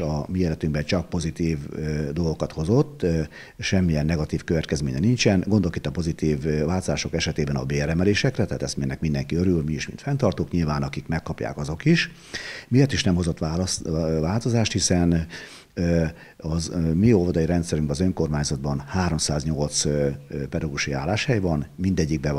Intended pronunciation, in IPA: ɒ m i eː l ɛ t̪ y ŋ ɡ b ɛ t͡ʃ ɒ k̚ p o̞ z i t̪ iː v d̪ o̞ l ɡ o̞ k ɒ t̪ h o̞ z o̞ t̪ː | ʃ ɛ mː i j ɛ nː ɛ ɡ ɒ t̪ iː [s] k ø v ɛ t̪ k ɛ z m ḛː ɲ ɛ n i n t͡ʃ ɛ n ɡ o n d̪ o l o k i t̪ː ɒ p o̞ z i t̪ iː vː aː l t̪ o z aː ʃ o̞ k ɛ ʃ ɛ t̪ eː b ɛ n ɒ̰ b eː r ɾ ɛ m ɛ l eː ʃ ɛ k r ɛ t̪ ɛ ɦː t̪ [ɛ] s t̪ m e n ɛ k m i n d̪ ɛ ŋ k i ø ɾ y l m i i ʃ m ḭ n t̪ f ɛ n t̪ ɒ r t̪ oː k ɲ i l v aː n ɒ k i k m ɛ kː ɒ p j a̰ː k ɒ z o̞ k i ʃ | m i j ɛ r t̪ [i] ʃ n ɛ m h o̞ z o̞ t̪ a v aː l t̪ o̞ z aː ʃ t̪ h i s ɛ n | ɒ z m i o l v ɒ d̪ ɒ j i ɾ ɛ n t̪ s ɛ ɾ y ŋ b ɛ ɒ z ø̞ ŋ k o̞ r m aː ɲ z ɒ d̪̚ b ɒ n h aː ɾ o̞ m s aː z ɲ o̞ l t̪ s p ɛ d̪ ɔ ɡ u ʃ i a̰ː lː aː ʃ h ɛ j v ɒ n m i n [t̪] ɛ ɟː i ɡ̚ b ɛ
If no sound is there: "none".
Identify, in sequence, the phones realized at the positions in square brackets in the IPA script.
f, ɛ, i, d̪

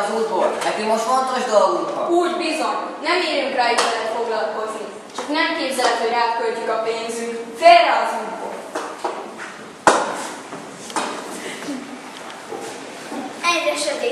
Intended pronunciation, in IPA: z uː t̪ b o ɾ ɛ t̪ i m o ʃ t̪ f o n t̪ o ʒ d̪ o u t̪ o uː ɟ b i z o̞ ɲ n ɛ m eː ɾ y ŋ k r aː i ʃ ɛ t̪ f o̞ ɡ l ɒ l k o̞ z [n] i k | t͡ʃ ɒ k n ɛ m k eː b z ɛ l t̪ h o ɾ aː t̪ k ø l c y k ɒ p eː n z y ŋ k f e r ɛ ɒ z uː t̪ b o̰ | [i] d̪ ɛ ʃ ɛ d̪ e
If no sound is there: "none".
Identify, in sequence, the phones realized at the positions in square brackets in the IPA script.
n, ɛ

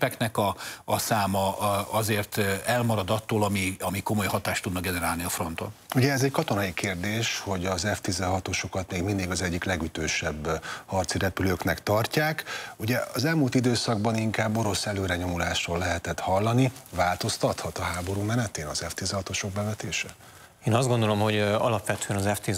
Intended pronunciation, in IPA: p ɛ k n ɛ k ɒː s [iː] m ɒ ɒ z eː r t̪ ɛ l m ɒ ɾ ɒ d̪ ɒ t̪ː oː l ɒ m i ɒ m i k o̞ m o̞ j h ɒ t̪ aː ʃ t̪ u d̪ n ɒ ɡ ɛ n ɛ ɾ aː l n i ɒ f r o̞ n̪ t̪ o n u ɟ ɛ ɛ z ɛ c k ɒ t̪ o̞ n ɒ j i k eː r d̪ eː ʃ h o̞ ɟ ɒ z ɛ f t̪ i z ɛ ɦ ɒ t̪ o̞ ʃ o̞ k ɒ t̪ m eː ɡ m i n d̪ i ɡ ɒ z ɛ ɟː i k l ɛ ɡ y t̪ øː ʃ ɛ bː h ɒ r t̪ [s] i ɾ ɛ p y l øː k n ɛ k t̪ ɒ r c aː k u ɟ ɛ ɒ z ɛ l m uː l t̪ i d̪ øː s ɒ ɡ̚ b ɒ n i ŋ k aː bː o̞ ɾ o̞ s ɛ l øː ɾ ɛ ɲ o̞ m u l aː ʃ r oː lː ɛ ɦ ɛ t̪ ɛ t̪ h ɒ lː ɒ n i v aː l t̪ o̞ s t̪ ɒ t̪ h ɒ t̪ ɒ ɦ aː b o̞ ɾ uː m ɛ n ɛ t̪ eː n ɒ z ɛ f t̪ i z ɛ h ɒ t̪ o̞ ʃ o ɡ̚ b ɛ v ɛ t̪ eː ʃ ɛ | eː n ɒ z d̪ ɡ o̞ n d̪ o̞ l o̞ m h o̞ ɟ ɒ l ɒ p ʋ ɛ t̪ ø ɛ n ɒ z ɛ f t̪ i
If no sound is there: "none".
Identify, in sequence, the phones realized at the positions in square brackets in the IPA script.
aː, s

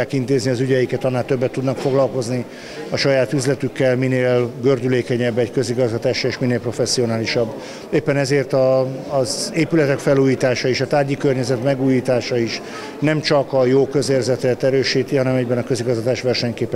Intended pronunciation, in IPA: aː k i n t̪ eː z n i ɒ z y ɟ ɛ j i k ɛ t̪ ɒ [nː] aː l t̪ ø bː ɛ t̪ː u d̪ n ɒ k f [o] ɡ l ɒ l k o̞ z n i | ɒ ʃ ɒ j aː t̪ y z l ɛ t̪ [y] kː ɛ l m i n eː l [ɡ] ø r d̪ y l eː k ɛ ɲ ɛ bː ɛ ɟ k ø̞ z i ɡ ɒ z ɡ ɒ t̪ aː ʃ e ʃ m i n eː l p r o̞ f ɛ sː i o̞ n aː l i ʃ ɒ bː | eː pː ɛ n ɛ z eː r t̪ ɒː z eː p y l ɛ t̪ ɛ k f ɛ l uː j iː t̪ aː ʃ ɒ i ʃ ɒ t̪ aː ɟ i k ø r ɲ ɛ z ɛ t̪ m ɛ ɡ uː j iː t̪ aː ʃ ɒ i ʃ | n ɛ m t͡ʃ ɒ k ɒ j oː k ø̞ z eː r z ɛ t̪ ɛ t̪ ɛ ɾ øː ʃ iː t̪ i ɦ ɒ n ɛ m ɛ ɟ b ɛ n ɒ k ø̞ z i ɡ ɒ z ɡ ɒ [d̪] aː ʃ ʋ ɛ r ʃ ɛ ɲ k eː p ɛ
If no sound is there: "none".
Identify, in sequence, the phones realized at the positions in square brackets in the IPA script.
nː, o, y, ɡ, t̪

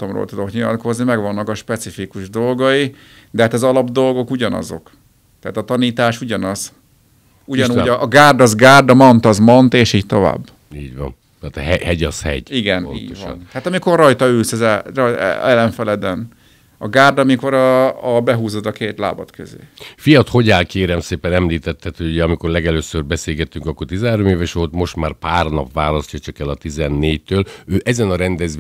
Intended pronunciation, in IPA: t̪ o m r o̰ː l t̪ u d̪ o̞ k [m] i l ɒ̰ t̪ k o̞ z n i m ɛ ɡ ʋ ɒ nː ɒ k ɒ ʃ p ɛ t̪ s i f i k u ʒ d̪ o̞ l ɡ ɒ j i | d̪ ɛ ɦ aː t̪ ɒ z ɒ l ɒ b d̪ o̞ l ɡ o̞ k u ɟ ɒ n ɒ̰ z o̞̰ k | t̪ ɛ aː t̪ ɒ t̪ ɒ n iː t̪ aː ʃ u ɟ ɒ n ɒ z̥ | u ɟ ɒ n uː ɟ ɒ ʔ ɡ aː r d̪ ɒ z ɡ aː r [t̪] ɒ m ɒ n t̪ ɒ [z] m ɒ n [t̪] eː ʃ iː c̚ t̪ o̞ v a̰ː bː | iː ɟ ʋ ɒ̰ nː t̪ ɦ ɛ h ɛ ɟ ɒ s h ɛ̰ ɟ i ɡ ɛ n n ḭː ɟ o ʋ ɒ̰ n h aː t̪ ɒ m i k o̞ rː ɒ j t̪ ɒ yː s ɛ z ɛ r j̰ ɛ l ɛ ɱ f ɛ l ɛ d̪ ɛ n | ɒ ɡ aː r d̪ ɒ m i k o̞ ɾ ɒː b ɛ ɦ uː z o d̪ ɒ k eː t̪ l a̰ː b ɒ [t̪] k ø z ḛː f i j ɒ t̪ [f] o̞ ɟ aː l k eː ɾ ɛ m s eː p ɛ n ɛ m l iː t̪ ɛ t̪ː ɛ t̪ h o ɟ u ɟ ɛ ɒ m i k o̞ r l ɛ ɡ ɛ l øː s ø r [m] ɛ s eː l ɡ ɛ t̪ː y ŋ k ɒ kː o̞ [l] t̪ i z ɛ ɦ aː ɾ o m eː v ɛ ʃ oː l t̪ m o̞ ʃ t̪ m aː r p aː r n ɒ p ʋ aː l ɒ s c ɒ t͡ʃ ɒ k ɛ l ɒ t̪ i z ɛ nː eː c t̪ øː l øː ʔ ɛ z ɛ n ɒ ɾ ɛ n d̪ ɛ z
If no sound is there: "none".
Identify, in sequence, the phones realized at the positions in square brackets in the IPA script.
ɲ, d̪, z, t̪, t̪, h, b, r

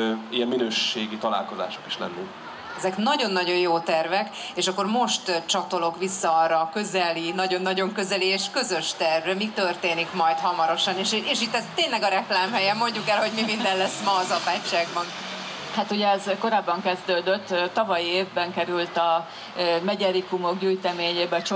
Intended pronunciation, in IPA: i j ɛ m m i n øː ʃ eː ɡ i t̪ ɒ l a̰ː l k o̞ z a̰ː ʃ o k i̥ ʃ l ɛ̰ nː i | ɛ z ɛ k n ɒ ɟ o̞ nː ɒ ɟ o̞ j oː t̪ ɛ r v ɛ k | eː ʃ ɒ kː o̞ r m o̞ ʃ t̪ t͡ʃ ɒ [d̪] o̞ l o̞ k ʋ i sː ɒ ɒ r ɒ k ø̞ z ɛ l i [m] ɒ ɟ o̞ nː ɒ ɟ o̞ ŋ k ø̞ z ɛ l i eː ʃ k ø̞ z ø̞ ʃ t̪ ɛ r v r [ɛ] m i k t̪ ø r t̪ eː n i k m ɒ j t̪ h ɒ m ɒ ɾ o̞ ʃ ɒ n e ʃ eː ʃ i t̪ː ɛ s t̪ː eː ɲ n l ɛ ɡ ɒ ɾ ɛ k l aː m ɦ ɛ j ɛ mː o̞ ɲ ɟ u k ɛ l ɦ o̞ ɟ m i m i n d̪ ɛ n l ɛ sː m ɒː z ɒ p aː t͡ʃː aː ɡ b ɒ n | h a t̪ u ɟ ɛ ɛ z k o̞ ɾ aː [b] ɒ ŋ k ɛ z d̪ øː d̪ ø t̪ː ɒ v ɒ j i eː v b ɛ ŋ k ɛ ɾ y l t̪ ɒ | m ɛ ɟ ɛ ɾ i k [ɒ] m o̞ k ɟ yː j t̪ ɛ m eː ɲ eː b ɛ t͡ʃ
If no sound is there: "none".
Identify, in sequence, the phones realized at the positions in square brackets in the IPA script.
t̪, n, ɛ, bː, u

